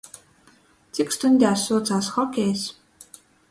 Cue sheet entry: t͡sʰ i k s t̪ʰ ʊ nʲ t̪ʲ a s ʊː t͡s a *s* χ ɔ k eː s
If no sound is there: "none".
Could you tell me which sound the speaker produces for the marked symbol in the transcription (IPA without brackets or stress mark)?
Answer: s